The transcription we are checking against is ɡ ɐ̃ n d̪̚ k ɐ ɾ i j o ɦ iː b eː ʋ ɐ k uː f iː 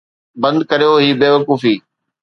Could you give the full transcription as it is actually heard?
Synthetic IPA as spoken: b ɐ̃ n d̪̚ k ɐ ɾ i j o ɦ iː b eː ʋ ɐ k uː f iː